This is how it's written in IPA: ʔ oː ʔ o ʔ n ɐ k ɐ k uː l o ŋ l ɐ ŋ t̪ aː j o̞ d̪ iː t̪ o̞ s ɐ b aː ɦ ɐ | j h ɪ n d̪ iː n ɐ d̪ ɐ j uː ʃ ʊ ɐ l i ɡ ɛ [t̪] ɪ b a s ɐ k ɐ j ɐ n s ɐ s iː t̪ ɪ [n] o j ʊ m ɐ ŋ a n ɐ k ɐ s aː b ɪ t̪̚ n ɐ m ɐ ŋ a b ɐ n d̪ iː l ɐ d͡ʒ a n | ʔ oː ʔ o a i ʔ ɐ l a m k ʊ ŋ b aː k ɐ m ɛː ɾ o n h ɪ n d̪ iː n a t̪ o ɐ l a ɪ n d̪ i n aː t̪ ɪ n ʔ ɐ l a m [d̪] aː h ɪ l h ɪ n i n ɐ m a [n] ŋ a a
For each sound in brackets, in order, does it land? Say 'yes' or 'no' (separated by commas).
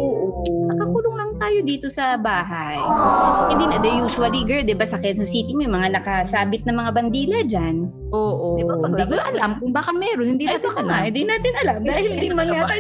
no, no, yes, yes